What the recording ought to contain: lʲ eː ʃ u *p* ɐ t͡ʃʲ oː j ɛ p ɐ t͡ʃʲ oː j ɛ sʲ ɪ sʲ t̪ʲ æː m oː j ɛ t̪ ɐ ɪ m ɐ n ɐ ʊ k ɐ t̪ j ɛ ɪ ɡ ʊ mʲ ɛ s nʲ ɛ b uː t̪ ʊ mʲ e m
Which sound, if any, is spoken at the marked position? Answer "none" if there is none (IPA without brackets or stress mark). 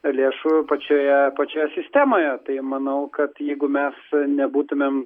p